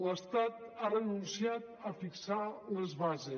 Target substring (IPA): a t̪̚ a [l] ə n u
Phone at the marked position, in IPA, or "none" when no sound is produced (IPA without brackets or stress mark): r